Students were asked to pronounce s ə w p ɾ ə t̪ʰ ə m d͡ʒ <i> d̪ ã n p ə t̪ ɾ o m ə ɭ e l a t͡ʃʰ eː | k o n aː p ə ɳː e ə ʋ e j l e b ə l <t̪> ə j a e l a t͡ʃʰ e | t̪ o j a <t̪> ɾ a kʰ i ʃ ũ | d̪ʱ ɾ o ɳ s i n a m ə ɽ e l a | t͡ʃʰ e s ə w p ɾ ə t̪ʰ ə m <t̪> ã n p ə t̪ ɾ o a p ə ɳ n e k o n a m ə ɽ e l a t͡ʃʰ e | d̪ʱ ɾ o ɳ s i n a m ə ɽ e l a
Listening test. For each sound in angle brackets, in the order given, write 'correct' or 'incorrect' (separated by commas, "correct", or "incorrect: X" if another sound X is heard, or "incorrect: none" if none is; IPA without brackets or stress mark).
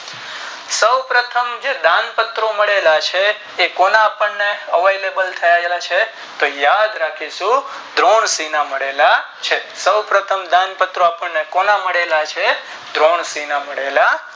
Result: incorrect: e, incorrect: t̪ʰ, incorrect: d̪, incorrect: d̪